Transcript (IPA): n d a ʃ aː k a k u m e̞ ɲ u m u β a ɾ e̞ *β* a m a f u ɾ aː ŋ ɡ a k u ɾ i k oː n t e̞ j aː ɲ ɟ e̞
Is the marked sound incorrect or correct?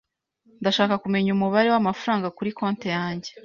incorrect